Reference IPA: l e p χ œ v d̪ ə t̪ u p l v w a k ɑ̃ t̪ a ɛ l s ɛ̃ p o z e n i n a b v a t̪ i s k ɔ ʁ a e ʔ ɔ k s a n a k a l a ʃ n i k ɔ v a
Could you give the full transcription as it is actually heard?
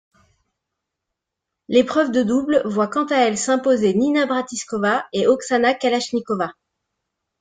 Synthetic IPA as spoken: l e p χ œ v d̪ ə d̪ u b l v w a k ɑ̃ t̪ a ɛ l s ɛ̃ p o z e n i n a b ʁ a t̪ i s k ɔ v a e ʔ ɔ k s a n a k a l a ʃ n i k ɔ v a